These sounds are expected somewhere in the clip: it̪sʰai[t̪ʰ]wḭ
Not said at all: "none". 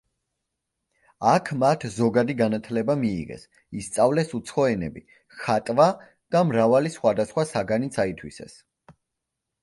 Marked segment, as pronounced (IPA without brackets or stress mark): t̪ʰ